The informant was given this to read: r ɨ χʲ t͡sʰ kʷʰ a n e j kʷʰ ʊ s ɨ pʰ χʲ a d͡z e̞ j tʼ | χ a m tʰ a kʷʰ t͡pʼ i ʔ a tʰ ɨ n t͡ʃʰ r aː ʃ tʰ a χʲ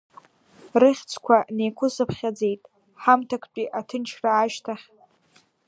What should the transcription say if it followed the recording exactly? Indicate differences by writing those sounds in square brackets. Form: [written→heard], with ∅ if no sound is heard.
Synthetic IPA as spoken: r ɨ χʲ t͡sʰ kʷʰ a n e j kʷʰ ʊ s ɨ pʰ χʲ a d͡z e̞ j tʼ | [χ→ħ] a m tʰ a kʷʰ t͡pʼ i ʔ a tʰ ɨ n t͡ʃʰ r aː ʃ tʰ a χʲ